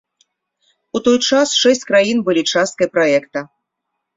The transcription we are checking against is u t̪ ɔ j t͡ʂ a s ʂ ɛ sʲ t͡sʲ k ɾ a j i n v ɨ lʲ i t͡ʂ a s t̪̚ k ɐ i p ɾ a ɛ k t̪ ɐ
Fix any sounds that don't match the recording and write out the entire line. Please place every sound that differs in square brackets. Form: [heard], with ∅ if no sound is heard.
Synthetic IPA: u t̪ ɔ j t͡ʂ a s ʂ ɛ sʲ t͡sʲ k ɾ a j i n [b] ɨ lʲ i t͡ʂ a s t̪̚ k ɐ [j] p ɾ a ɛ k t̪ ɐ